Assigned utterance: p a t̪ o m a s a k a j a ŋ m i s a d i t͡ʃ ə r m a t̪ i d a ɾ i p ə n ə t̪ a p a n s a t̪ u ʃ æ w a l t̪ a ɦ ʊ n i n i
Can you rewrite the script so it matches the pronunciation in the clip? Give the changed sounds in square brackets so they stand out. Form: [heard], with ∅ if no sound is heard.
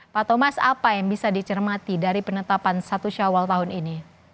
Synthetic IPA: p a t̪ o m a s a [p] a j a ŋ [b] i s a d i t͡ʃ ə r m a t̪ i d a ɾ i p ə n ə t̪ a p a n s a t̪ u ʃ [a] w a l t̪ a ɦ ʊ n i n i